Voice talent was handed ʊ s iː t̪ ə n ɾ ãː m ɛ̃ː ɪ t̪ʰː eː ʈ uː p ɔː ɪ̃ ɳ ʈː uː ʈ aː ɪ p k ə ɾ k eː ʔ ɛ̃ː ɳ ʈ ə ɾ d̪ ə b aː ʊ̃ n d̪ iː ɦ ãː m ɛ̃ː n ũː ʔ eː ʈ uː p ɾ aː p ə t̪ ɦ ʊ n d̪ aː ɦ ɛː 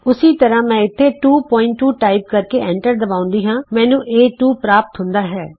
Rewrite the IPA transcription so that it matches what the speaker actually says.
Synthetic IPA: ʊ s iː t̪ ə ɾ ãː m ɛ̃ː ɪ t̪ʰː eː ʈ uː p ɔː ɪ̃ ɳ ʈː uː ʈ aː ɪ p k ə ɾ k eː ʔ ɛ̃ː ɳ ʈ ə ɾ d̪ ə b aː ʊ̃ n d̪ iː ɦ ãː m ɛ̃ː n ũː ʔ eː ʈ uː p ɾ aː p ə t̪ ɦ ʊ n d̪ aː ɦ ɛː